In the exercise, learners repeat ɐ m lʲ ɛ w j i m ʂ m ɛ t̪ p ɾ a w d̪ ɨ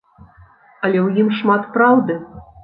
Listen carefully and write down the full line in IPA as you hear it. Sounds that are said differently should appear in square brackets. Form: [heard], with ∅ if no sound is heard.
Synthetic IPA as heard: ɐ [∅] lʲ ɛ w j i m ʂ m [a] t̪ p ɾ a w d̪ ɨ